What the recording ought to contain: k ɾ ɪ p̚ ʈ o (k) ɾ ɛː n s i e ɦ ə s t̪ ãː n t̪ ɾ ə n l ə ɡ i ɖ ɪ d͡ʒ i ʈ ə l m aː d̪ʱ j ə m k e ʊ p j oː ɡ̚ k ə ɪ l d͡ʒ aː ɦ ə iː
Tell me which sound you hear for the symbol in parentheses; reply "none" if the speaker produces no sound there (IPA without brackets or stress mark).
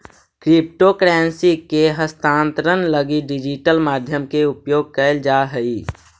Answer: k